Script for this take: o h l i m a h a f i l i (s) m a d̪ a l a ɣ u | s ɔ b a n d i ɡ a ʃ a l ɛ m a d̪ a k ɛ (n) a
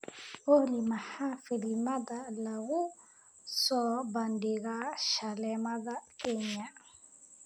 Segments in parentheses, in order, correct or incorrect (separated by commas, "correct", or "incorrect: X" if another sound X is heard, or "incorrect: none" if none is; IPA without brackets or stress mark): incorrect: none, incorrect: ɲ